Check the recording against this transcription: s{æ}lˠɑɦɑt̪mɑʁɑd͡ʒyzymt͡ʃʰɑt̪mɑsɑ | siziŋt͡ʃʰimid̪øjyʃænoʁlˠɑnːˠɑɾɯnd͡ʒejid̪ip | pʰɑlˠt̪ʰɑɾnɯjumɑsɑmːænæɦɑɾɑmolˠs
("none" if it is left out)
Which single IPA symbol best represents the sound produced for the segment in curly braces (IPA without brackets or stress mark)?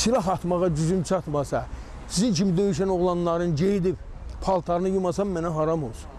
i